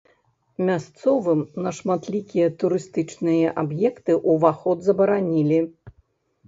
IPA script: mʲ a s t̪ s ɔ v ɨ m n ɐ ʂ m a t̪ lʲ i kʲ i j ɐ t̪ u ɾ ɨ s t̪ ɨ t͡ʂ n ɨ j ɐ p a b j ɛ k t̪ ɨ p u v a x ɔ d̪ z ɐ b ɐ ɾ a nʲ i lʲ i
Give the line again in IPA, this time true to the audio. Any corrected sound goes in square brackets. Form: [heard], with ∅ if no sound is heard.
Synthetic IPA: mʲ a s t̪ s ɔ v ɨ m n ɐ ʂ m a t̪ lʲ i kʲ i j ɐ t̪ u ɾ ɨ s t̪ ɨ t͡ʂ n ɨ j ɐ [ʔ] a b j ɛ k t̪ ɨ [ʔ] u v a x ɔ d̪ z ɐ b ɐ ɾ a nʲ i lʲ i

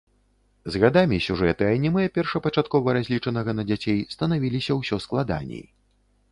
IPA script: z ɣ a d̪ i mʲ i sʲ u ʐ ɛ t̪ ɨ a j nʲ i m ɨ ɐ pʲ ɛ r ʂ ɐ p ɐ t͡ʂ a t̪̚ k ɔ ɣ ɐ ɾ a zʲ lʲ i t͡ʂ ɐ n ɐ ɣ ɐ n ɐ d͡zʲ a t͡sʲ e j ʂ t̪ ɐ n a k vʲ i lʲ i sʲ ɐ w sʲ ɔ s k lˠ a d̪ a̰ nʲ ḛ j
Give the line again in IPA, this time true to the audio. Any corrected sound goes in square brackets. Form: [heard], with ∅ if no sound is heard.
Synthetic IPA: z ɣ a d̪ [a] mʲ i sʲ u ʐ ɛ t̪ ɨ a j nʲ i m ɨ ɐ pʲ ɛ r ʂ ɐ p ɐ t͡ʂ a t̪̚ k ɔ [v] ɐ ɾ a zʲ lʲ i t͡ʂ ɐ n ɐ ɣ ɐ n ɐ d͡zʲ a t͡sʲ e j [s] t̪ ɐ n a [∅] vʲ i lʲ i sʲ ɐ w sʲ ɔ s k lˠ a d̪ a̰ nʲ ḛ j

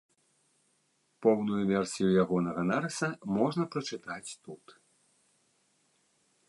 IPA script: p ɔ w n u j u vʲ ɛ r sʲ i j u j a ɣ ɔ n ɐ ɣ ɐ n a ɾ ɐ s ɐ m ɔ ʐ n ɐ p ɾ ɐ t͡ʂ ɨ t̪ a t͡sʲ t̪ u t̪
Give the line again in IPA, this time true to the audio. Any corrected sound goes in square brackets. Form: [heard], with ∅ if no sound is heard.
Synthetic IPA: p ɔ w n u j u vʲ ɛ r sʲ i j u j a ɣ ɔ n ɐ ɣ ɐ n a ɾ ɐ s ɐ m ɔ ʐ n ɐ p ɾ ɐ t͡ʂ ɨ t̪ a t͡sʲ t̪ u t̪

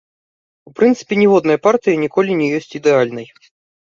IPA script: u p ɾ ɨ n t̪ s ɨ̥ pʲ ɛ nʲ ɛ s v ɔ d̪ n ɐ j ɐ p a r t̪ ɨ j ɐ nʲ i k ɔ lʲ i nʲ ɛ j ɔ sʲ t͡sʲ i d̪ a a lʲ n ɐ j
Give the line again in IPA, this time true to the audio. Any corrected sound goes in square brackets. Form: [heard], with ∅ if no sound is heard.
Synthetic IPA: u p ɾ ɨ n t̪ s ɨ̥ pʲ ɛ nʲ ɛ [∅] v ɔ d̪ n ɐ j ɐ p a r t̪ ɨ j ɐ nʲ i k ɔ lʲ i nʲ ɛ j ɔ sʲ t͡sʲ i d̪ [ɛ] a lʲ n ɐ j

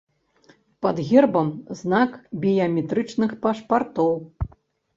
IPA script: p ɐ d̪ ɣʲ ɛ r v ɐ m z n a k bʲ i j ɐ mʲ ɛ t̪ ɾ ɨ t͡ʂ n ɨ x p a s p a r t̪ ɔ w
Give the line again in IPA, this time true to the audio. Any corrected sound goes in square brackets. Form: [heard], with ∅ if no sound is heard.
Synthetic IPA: p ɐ d̪ ɣʲ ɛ r [b] ɐ m z n a k bʲ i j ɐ mʲ ɛ t̪ ɾ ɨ t͡ʂ n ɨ x p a [ʂ] p a r t̪ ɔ w

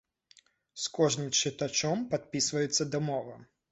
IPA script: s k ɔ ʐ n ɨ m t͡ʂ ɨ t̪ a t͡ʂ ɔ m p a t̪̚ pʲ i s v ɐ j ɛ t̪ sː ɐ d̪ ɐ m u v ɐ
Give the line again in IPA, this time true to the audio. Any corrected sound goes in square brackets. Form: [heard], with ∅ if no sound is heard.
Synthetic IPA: s k ɔ ʐ n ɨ m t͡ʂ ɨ t̪ a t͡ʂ ɔ m p a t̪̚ pʲ i s v ɐ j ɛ t̪ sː ɐ d̪ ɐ m [ɔ] v ɐ

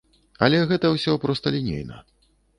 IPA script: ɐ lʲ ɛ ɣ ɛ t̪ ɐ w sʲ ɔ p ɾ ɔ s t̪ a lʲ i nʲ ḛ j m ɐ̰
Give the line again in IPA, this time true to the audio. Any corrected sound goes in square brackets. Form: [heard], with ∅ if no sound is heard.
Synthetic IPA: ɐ lʲ ɛ ɣ ɛ t̪ ɐ w sʲ ɔ p ɾ ɔ s t̪ [ɐ] lʲ i nʲ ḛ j [n] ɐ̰

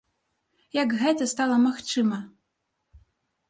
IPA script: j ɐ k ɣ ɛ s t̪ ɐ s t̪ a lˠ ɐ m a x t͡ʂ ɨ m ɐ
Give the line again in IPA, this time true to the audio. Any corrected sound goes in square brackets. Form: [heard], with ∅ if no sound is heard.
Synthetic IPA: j ɐ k ɣ ɛ [∅] t̪ ɐ s t̪ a lˠ ɐ m a x t͡ʂ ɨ m ɐ

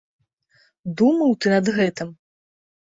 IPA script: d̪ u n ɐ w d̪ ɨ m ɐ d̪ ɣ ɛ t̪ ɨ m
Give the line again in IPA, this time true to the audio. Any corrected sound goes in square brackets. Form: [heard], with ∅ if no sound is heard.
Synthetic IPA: d̪ u [m] ɐ w [t̪] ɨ [n] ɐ d̪ ɣ ɛ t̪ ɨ m

